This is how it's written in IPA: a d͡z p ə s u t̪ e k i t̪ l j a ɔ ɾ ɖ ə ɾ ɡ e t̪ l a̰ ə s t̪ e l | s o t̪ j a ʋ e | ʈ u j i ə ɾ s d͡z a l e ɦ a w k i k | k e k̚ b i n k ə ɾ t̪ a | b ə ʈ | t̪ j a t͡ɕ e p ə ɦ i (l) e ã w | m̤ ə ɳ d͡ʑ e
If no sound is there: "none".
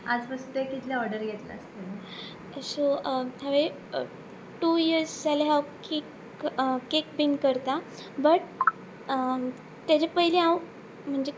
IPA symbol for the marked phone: l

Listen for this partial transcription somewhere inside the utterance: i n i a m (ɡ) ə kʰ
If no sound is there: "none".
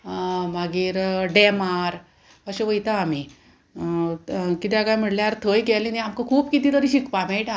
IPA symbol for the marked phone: k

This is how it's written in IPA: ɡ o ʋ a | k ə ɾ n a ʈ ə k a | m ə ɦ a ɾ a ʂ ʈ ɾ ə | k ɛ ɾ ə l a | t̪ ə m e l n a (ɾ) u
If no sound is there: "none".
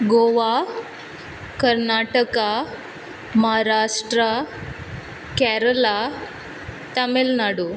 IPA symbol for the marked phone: ɽ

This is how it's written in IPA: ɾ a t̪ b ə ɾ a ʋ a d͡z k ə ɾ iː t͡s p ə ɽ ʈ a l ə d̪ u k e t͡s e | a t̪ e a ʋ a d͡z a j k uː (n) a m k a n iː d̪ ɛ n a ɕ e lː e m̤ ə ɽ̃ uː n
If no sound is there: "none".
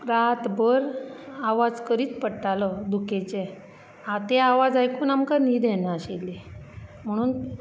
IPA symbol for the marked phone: n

